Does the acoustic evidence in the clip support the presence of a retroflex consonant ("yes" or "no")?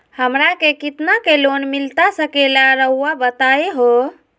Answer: no